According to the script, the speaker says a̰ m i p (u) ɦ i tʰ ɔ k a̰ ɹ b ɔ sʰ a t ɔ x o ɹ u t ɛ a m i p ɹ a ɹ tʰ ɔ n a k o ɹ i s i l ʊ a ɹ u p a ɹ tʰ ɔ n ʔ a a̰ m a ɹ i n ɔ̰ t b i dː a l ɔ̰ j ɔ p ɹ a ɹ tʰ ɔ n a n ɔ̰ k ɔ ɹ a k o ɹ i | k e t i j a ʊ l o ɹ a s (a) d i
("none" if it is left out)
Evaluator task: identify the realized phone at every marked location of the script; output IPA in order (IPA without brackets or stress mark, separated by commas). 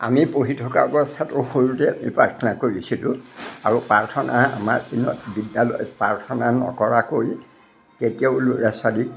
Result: o, a